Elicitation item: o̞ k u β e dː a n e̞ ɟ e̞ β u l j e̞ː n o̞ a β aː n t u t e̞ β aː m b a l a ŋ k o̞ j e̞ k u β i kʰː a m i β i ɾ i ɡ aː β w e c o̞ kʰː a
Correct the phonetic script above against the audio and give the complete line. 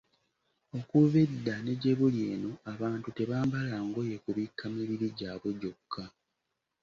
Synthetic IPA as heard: o̞ k u β e dː a n e̞ ɟ e̞ β u l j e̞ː n o̞ a β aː n t u t e̞ β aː m b a l a ŋ ɡ o̞ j e̞ k u β i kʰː a m i β i ɾ i ɟ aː β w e ɟ o̞ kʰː a